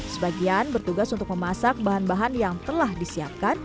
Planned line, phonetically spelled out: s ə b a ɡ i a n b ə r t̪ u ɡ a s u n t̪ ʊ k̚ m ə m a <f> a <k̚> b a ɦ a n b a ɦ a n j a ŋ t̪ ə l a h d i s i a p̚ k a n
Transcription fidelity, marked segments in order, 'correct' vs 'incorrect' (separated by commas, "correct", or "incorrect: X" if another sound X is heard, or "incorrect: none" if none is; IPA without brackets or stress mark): incorrect: s, correct